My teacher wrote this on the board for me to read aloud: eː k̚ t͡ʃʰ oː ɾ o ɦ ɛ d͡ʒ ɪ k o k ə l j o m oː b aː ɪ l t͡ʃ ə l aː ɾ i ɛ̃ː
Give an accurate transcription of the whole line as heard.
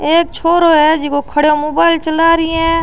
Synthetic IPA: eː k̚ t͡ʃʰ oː ɾ o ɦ ɛ d͡ʒ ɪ k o kʰ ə ɽ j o m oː b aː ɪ l t͡ʃ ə l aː ɾ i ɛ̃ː